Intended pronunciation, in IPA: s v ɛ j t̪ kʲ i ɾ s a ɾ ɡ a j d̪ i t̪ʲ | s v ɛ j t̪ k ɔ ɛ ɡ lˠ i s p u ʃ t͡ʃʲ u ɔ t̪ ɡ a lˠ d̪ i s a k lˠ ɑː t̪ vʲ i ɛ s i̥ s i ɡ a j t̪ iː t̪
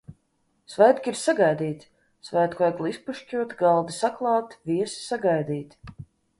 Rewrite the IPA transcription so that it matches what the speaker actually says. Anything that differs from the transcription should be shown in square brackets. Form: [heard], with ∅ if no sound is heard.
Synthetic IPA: s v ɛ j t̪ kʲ i ɾ s a [∅] ɡ a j d̪ [iː] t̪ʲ | s v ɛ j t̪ k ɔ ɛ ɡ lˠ i s p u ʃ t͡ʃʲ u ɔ t̪ ɡ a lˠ d̪ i s a k lˠ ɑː t̪ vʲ i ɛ s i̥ s [a] ɡ a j [d̪] iː t̪